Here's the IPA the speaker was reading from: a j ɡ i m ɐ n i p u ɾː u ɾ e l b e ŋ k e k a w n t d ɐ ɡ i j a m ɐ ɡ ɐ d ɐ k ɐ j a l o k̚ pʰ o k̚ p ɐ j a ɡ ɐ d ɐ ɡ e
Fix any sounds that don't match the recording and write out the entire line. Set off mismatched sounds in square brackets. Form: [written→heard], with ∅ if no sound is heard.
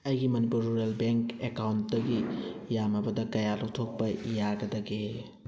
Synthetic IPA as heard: [a→ɐ] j ɡ i m ɐ n i p u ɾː u ɾ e l b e ŋ k e k a w n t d ɐ ɡ i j a m ɐ [ɡ→b] ɐ d ɐ k ɐ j a l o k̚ [pʰ→tʰ] o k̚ p ɐ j a ɡ ɐ d ɐ ɡ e

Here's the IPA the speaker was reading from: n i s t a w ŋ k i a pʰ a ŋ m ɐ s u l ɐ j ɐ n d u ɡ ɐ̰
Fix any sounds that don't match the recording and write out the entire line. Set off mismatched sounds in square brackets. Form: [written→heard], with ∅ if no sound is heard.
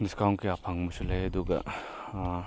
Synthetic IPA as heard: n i s [t→k] a w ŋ k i a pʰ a ŋ m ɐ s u l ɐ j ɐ [n→∅] d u ɡ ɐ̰

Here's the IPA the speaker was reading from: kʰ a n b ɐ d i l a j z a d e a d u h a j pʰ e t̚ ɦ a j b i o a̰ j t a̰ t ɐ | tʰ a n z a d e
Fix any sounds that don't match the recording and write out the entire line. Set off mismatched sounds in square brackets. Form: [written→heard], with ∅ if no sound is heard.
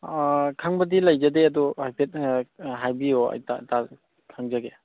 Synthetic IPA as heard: kʰ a [n→ŋ] b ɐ d i l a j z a d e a d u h a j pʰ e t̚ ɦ a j b i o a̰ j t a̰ t [ɐ→a] | [tʰ→kʰ] a [n→ŋ] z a [d→ɡ] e

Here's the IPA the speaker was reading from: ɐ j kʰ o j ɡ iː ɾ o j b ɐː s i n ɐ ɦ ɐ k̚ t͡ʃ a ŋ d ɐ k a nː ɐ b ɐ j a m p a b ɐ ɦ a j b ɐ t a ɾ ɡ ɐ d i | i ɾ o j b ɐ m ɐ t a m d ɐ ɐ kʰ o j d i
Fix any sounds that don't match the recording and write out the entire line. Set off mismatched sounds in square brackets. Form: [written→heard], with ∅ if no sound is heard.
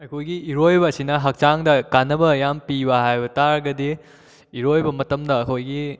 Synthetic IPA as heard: ɐ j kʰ o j ɡ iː ɾ o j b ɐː s i n ɐ ɦ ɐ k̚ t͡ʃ a ŋ d ɐ k a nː ɐ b ɐ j a m p [a→i] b ɐ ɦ a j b ɐ t a ɾ ɡ ɐ d i | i ɾ o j b ɐ m ɐ t [a→ɐ] m d ɐ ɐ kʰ o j [d→ɡ] i

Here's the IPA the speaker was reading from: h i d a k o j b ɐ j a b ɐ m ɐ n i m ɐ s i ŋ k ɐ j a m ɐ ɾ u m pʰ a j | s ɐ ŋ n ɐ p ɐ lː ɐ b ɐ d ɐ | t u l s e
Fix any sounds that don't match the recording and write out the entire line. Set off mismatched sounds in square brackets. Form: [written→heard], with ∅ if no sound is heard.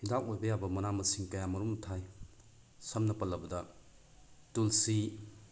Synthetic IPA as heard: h i d a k o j b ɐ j a b ɐ m ɐ n [i→a] m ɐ s i ŋ k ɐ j a m ɐ ɾ u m [pʰ→tʰ] a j | s ɐ [ŋ→m] n ɐ p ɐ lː ɐ b ɐ d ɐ | t u l s [e→i]

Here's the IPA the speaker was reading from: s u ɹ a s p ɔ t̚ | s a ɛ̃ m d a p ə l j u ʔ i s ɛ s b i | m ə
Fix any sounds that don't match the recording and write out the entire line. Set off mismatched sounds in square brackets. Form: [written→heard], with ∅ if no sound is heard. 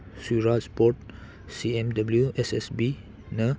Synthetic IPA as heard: s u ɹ a s p ɔ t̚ | s [a→i] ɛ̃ m d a [p→b] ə l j u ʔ [i→ɛ] s ɛ s b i | [m→n] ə

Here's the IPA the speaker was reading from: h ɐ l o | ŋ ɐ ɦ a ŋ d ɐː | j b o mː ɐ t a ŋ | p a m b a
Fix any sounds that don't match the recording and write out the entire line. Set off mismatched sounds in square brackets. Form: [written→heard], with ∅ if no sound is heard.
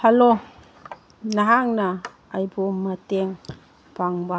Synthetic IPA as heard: h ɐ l o | [ŋ→n] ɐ ɦ a ŋ [d→n] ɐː | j b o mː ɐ t [a→e] ŋ | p a [m→ŋ] b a

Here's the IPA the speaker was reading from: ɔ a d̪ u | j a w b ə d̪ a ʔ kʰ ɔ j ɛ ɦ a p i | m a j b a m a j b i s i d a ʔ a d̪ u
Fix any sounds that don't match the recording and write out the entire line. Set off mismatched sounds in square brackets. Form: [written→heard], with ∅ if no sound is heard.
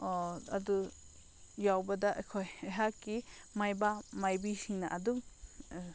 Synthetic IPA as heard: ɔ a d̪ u | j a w b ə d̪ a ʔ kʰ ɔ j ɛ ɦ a [p→k] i | m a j b a m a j b i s i [d→n] a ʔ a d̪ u

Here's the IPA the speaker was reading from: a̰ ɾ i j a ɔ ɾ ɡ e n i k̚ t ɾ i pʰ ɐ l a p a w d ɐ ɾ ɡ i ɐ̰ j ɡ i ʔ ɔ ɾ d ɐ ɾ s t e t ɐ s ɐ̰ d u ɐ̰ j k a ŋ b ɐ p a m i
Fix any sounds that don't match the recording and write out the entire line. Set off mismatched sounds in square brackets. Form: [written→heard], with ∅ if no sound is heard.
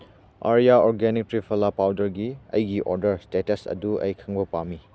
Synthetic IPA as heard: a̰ ɾ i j a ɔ ɾ ɡ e n i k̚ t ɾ i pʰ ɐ l a p a w d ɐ ɾ ɡ i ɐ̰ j ɡ i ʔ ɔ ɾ d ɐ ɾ s t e t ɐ s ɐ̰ d u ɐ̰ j [k→kʰ] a ŋ b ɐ p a m i

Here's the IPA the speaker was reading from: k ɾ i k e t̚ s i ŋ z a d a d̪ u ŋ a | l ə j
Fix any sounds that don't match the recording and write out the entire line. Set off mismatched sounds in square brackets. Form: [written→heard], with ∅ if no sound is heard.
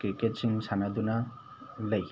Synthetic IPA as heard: k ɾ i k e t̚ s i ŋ [z→s] a [d→n] a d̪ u [ŋ→n] a | l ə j

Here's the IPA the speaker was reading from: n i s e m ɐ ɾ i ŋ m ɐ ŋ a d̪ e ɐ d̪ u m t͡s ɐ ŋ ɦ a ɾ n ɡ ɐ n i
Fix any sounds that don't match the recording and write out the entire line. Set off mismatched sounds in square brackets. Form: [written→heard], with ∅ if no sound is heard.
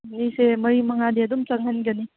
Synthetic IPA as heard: n i s e m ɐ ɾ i [ŋ→∅] m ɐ ŋ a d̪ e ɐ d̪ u m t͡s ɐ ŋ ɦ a [ɾ→∅] n ɡ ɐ n i

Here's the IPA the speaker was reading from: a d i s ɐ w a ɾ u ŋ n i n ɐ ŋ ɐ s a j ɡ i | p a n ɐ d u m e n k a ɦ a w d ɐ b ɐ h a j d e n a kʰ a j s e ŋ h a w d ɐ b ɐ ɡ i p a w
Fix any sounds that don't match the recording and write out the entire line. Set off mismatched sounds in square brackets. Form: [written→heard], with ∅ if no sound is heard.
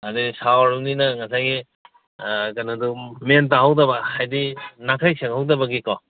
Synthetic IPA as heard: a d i s [ɐ→a] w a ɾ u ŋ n i n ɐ ŋ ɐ s a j ɡ i | [p→k] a n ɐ d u m e n [k→t] a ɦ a w d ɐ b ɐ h a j d [e→i] n a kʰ a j s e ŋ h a w d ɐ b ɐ ɡ i [p→k] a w

